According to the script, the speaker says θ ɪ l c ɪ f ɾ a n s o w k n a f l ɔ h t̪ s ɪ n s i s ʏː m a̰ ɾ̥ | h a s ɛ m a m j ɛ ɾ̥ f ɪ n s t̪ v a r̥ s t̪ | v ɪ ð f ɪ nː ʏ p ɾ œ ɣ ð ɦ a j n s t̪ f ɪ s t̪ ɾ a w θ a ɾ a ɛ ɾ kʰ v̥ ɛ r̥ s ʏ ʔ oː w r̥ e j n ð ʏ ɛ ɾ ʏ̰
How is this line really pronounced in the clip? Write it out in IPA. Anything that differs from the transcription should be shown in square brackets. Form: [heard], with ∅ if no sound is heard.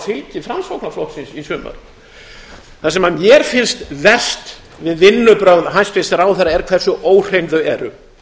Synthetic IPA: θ ɪ l c ɪ f ɾ a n s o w k n a f l ɔ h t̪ s ɪ n s i s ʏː m a̰ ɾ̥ | [θ] a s ɛ m a m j ɛ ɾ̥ f ɪ n s t̪ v [ɛ] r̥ s t̪ | v ɪ ð [v] ɪ nː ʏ p ɾ œ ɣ ð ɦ a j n s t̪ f ɪ s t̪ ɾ a w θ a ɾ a ɛ ɾ kʰ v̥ ɛ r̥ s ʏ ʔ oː w r̥ e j n ð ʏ ɛ ɾ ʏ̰